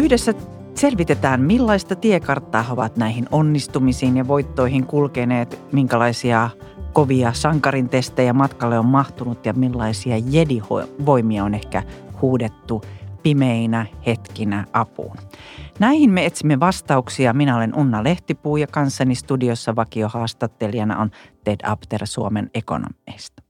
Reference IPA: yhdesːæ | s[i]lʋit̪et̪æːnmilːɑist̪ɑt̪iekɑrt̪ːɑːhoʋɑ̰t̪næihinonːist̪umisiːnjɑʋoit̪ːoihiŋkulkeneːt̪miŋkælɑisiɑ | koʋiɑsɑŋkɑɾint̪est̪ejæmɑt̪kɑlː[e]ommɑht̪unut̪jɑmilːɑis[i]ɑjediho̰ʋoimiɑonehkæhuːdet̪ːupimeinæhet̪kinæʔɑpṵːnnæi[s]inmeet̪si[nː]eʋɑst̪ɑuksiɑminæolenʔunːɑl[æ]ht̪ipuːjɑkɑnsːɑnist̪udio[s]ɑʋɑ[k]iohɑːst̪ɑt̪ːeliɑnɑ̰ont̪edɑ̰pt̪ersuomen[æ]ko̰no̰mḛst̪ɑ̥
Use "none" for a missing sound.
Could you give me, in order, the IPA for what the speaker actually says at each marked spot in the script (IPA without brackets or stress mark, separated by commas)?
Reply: e, e, i, h, mː, e, sː, k, e